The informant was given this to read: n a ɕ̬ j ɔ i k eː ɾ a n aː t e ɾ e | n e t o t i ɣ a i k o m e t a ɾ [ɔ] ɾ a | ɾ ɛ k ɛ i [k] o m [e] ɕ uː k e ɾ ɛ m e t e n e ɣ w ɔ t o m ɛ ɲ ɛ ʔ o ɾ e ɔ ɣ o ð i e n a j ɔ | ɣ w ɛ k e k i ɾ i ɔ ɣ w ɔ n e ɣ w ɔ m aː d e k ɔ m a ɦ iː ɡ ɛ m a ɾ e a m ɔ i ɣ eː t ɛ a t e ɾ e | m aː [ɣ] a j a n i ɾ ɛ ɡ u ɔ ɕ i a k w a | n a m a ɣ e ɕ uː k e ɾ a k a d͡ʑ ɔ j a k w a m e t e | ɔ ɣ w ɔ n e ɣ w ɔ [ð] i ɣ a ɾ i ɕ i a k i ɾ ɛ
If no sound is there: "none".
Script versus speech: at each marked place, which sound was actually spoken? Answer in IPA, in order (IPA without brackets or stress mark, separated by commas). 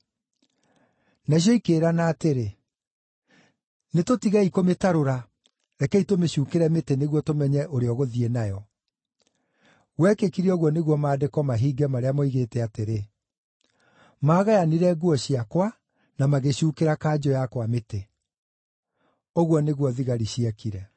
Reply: o, t, e, ɣ, ð